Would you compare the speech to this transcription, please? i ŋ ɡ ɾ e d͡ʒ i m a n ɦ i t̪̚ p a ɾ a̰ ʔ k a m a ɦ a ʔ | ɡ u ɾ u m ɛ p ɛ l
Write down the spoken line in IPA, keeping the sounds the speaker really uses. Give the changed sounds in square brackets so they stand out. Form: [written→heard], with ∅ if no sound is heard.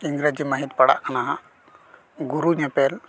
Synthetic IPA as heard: i ŋ ɡ ɾ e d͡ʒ i m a [n→∅] ɦ i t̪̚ p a [ɾ→ɽ] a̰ ʔ k a [m→n] a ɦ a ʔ | ɡ u ɾ u [m→ɲ] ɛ p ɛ l